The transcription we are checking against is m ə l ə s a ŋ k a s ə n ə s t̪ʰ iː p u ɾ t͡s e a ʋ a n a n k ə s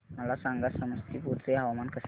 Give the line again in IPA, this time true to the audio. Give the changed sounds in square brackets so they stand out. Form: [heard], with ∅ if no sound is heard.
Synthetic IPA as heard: m ə l [a] s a ŋ [ɡ] a s ə [m] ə s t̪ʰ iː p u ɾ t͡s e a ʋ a [m] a n k ə s